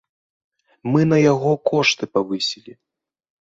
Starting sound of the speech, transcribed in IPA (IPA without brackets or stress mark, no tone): m